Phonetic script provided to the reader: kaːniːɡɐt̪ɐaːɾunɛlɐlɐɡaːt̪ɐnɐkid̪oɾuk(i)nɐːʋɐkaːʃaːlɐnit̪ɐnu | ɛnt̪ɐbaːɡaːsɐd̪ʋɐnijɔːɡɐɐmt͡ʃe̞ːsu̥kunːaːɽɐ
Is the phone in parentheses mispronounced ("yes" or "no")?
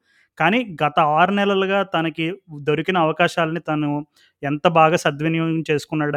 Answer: no